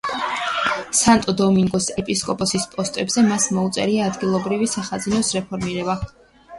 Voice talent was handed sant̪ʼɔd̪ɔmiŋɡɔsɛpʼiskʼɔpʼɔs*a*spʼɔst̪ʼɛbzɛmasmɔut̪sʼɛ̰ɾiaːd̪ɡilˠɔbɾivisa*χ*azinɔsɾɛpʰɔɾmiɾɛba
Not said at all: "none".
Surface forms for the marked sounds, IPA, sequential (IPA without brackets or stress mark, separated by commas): i, χ